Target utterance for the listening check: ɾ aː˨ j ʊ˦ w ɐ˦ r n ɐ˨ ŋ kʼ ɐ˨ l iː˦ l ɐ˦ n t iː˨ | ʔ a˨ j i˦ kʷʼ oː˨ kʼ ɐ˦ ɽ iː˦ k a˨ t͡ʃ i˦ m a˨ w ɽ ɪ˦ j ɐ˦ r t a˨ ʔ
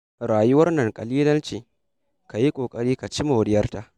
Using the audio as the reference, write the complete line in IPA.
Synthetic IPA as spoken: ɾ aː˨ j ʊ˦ w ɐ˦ r n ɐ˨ ŋ kʼ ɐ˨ l iː˦ l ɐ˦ n t͡ʃ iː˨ | k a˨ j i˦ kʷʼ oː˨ kʼ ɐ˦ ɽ iː˦ k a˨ t͡ʃ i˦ m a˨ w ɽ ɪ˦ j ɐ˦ r t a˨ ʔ

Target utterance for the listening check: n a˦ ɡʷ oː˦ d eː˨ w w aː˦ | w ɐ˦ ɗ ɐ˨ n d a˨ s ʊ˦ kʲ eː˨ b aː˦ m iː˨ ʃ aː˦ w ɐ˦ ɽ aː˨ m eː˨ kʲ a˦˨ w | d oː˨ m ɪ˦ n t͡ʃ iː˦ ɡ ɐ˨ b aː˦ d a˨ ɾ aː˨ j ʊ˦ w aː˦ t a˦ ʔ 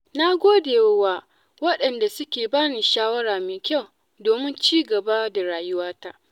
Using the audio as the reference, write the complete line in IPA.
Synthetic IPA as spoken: n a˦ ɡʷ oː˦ d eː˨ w w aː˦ | w ɐ˦ ɗ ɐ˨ n d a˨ s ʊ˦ kʲ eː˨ b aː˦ n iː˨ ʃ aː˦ w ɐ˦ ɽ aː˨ m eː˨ kʲ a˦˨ w | d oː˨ m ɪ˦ n t͡ʃ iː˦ ɡ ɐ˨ b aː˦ d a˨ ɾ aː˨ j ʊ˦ w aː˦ t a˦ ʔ

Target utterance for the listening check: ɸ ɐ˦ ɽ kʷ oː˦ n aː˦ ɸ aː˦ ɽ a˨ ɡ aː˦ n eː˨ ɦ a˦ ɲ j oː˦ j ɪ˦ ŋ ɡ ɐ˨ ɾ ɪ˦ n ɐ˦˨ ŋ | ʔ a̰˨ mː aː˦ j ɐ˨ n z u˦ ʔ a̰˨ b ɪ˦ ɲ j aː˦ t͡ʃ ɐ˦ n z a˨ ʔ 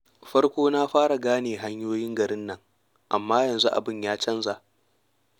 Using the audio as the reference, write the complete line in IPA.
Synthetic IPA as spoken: ɸ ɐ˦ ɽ kʷ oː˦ n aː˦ ɸ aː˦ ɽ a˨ ɡ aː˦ n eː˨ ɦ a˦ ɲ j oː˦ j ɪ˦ ŋ ɡ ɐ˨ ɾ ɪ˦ nː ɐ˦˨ ŋ | ʔ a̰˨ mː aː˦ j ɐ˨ n z u˦ ʔ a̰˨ b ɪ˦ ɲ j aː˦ t͡ʃ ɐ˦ n z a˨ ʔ

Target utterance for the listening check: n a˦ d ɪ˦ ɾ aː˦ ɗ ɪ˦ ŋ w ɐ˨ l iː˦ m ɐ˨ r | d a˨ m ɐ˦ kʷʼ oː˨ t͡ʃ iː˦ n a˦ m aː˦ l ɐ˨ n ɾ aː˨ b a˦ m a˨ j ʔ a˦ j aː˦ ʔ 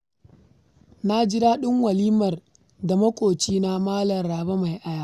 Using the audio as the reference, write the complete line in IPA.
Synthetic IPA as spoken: n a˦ d͡ʒ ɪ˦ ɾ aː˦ ɗ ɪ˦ ŋ w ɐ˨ l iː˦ m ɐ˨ r | d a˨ m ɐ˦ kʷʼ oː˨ t͡ʃ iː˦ n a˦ m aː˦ l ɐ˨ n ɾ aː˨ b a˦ m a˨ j ʔ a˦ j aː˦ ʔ

